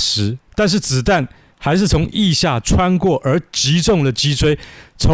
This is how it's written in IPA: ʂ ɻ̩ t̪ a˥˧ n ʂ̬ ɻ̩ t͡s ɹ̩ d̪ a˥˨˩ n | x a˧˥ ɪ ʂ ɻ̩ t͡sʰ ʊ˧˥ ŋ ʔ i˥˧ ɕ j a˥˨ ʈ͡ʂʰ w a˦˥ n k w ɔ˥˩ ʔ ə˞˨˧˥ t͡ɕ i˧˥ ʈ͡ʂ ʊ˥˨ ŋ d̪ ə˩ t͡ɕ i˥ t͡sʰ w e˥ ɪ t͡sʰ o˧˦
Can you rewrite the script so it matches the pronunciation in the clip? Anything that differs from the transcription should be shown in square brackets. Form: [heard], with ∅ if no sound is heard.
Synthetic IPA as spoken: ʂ ɻ̩ t̪ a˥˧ n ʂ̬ ɻ̩ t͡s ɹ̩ [t̪] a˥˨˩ n | x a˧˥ ɪ ʂ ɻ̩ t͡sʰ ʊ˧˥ ŋ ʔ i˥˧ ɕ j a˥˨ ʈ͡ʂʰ w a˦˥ n k w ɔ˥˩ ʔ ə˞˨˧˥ t͡ɕ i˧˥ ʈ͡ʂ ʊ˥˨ ŋ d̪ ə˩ t͡ɕ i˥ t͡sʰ w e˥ ɪ t͡sʰ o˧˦